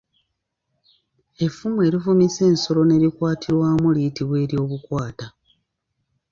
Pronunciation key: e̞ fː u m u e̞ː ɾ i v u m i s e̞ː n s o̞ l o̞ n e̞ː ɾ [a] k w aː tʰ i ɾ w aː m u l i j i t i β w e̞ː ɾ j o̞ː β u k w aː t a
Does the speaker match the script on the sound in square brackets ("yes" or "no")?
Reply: no